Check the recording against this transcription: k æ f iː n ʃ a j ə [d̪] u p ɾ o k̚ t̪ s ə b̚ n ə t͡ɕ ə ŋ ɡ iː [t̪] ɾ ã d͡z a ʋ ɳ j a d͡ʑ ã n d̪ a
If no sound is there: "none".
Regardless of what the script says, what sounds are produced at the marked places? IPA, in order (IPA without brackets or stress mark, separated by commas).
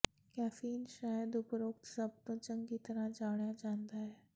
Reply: d̪, t̪